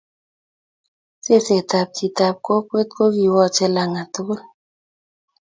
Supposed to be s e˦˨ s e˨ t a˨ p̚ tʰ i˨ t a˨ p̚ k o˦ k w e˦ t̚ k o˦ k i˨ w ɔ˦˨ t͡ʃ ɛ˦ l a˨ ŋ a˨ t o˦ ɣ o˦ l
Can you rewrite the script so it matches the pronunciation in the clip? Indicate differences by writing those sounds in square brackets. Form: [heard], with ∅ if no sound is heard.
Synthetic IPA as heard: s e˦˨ s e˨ t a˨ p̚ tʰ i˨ t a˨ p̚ k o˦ k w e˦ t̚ k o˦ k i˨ w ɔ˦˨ t͡ʃ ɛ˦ l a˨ ŋ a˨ t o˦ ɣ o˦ l